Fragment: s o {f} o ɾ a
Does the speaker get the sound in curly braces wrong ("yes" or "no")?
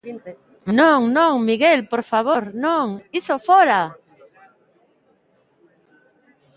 no